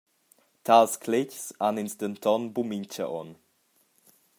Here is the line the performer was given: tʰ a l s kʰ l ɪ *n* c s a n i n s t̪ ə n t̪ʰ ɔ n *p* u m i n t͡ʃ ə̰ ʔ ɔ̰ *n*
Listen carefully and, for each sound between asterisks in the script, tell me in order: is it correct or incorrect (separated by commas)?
incorrect, incorrect, correct